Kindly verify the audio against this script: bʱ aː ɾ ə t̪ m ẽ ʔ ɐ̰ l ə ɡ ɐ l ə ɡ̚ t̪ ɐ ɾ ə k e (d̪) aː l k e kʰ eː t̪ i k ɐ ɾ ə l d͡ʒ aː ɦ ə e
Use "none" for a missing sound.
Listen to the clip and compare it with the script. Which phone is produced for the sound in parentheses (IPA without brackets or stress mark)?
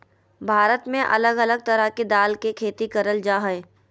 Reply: d̪